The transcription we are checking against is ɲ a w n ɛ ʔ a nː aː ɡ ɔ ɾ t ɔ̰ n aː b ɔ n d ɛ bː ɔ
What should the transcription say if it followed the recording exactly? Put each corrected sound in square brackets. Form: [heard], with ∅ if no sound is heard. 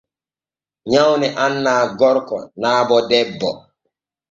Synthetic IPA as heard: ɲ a w n ɛ ʔ a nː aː ɡ ɔ ɾ [k] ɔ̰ n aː b ɔ [∅] d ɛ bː ɔ